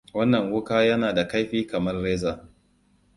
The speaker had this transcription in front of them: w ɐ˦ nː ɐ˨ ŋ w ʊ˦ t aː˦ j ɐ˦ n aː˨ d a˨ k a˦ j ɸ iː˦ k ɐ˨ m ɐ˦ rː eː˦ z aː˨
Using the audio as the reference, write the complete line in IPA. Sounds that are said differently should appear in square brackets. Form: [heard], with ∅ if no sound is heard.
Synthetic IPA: w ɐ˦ nː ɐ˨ ŋ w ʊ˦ [k] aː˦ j ɐ˦ n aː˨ d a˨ k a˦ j ɸ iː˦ k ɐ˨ m ɐ˦ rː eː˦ z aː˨